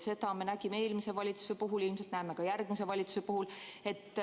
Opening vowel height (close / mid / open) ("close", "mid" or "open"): mid